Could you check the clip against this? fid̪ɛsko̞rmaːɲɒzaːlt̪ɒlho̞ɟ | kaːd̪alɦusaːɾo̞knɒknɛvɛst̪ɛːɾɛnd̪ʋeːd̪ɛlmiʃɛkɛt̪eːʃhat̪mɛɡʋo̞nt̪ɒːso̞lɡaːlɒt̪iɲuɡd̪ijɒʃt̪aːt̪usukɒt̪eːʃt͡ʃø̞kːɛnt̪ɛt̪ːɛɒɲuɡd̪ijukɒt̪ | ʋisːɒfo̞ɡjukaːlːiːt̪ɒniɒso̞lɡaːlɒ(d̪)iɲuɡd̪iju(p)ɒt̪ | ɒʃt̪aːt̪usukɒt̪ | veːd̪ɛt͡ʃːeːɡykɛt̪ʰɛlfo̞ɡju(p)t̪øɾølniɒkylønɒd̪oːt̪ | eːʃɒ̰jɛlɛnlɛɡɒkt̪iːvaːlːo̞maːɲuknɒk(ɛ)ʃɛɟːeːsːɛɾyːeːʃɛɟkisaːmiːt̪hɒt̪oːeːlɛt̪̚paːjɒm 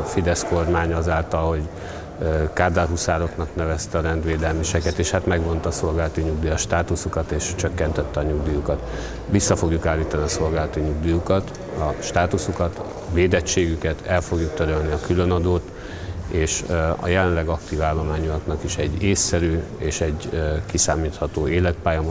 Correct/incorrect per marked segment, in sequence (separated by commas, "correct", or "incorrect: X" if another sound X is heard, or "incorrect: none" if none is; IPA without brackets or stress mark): incorrect: t̪, incorrect: k, incorrect: k, incorrect: i